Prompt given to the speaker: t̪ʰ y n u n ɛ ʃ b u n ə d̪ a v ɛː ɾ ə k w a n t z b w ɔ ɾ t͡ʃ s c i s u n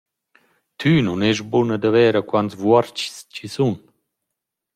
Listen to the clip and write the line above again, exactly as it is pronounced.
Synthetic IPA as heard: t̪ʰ y n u n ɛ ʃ b u n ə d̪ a v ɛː ɾ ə k w a n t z v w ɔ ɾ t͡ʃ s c i s u n